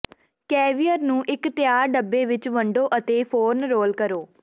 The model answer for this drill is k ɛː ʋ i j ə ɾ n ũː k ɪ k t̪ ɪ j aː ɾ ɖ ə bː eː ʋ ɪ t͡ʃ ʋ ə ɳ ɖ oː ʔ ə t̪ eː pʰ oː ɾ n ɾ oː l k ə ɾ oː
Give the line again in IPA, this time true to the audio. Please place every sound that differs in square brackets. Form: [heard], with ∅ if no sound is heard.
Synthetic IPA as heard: k ɛː ʋ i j ə ɾ n ũː [ʔ] ɪ k t̪ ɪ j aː ɾ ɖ ə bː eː ʋ ɪ t͡ʃ ʋ ə ɳ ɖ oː ʔ ə t̪ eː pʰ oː ɾ n ɾ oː l k ə ɾ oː